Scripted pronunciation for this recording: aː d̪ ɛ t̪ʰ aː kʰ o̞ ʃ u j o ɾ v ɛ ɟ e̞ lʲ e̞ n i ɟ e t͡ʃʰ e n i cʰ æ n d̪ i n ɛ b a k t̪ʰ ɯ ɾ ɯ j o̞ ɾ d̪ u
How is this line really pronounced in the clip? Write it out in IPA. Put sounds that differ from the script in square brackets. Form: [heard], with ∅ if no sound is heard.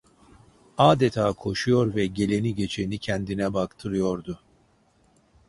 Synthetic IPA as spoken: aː d̪ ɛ t̪ʰ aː kʰ o̞ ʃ u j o ɾ v ɛ ɟ e̞ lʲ e̞ n i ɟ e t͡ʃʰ e n i cʰ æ n d̪ i n ɛ b a k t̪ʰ ɯ ɾ ɯ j o̞ ɾ d̪ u